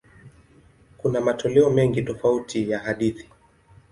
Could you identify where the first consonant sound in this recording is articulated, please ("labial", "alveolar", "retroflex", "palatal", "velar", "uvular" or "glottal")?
velar